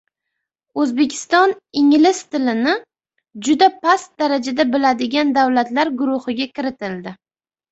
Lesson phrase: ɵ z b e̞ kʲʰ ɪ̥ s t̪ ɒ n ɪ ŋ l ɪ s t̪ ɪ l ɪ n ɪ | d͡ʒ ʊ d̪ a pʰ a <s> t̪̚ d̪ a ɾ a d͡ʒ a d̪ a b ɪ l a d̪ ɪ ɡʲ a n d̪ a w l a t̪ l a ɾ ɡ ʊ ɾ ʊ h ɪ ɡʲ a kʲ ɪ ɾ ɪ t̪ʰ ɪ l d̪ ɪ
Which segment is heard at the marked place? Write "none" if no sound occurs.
s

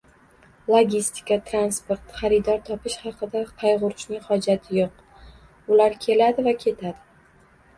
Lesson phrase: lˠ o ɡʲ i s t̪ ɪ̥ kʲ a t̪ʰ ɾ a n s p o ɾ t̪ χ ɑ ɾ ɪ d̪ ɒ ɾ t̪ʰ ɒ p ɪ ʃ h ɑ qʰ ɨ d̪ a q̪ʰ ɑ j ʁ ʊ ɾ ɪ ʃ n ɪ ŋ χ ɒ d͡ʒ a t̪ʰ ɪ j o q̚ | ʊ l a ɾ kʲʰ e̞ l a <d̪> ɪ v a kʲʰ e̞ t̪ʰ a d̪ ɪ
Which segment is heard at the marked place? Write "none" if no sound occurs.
d̪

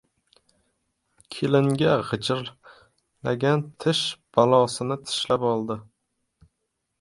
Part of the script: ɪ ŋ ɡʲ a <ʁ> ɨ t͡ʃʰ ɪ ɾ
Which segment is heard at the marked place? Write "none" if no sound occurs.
ʁ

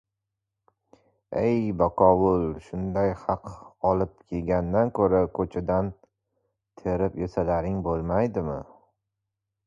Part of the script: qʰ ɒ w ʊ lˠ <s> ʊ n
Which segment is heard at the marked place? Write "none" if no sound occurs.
ʃ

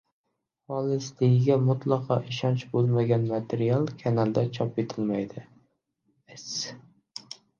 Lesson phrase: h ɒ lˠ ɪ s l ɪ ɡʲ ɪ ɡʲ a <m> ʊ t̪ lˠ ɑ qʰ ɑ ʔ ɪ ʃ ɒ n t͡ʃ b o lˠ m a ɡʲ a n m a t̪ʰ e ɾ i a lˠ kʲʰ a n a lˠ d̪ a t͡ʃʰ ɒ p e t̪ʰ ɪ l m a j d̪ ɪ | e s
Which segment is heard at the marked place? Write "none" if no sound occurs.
m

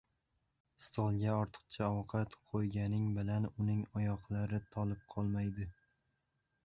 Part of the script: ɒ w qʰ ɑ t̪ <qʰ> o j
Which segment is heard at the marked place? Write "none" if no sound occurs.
qʰ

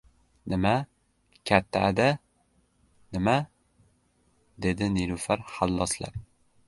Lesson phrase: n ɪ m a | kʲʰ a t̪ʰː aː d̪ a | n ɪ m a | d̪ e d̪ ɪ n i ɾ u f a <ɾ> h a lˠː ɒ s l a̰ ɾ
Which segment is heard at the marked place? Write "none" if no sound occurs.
ɾ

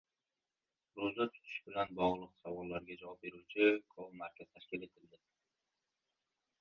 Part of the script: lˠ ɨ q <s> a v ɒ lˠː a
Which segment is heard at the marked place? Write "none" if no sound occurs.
s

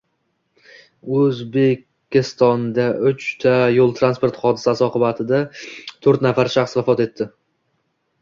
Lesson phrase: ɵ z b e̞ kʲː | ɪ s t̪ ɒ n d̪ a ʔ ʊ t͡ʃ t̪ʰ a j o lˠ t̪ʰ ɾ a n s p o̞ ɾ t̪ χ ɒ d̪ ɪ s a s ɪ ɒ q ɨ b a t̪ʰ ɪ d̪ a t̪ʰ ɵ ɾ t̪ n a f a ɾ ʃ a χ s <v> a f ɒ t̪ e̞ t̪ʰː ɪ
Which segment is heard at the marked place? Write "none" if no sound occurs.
v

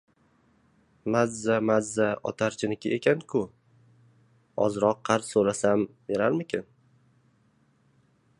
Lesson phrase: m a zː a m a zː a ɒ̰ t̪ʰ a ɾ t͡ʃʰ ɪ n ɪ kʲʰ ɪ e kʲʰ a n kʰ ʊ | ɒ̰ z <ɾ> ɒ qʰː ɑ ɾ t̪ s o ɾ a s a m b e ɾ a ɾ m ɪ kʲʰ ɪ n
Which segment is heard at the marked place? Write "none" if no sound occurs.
ɾ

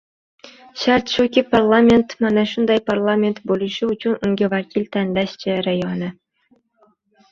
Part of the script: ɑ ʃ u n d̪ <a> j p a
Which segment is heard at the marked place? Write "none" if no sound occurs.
ɑ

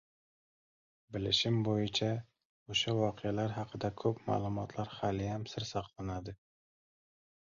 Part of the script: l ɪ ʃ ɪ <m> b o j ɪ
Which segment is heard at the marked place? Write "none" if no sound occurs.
m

